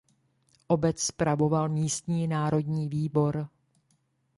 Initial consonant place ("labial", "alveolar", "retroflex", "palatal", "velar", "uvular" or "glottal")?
glottal